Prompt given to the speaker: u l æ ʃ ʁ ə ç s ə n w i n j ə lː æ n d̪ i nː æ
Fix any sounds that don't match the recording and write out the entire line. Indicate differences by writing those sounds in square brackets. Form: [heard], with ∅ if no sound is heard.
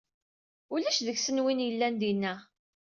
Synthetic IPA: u l æ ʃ [ð] ə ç s ə n w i n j ə lː æ n d̪ i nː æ

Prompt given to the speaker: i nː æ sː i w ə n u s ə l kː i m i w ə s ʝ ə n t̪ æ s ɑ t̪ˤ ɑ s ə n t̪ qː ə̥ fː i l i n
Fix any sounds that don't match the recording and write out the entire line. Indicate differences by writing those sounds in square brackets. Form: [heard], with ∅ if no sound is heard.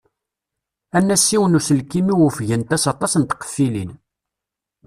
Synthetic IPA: [æ] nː æ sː i w ə n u s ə l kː i m i w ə [f] ʝ ə n t̪ æ s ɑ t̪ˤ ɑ s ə n t̪ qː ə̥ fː i l i n

